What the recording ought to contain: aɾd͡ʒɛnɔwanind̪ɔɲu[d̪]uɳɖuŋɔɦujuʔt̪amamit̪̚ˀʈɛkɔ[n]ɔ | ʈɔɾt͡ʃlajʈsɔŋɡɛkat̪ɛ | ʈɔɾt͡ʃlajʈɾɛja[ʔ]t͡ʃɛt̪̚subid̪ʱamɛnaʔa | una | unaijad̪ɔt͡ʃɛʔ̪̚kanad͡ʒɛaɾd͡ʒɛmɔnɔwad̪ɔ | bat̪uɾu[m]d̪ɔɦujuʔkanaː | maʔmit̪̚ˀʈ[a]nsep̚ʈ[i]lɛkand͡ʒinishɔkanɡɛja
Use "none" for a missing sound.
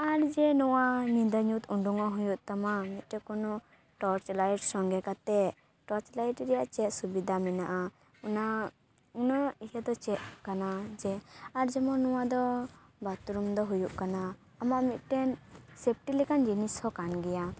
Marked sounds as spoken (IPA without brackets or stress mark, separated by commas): t̪, n, ʔ, m, ɛ, i